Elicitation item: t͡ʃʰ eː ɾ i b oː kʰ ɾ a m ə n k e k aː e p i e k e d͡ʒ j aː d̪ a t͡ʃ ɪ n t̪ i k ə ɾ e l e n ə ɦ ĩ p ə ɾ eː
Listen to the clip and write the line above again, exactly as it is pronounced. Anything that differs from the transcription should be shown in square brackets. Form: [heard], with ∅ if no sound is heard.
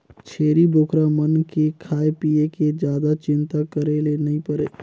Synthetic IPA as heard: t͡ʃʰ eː ɾ i b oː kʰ ɾ a m ə n k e [kʰ] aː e p i e k e d͡ʒ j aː d̪ a t͡ʃ ɪ n t̪ [a] k ə ɾ e l e n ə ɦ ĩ p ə ɾ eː